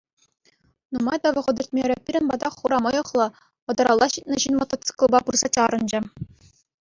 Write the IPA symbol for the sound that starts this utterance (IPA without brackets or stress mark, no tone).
n